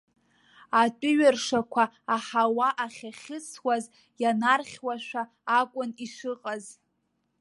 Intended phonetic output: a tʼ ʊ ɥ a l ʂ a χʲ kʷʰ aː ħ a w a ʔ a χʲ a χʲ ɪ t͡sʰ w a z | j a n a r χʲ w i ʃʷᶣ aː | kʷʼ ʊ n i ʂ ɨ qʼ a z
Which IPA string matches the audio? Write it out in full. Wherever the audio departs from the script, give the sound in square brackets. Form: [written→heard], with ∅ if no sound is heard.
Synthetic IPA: a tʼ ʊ ɥ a [l→r] ʂ a [χʲ→∅] kʷʰ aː ħ a w a ʔ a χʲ a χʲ ɪ t͡sʰ w a z | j a n a r χʲ w [i→a] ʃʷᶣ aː | kʷʼ ʊ n i ʂ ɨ qʼ a z